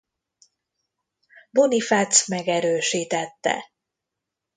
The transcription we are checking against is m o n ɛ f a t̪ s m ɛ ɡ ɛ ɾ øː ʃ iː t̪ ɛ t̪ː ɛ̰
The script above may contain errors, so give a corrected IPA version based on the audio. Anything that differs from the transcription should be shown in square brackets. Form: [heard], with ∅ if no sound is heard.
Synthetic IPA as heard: [b] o n [i] f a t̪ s m ɛ ɡ ɛ ɾ øː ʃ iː t̪ ɛ t̪ː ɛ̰